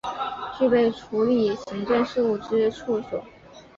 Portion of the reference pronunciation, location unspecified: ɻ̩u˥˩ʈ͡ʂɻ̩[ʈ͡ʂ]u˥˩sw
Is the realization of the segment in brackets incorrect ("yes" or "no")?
yes